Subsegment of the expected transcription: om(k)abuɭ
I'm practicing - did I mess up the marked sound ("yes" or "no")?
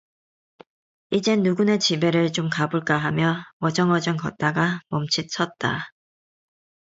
no